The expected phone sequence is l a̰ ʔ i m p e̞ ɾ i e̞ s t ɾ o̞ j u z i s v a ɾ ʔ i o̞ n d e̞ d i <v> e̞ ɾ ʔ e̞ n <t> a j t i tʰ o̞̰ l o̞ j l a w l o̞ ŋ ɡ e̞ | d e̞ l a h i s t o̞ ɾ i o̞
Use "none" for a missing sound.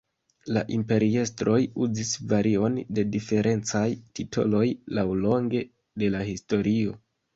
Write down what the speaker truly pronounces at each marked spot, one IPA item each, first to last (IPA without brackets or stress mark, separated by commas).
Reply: f, t͡s